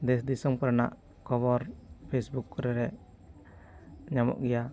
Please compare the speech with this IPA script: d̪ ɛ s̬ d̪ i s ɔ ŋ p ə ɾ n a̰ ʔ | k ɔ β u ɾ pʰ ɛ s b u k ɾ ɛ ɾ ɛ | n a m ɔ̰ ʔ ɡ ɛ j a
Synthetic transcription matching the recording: d̪ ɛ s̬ d̪ i s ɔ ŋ p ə ɾ n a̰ ʔ | k ɔ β ɔ ɾ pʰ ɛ s b u k ɾ ɛ ɾ ɛ | ɲ a m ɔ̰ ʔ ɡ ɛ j a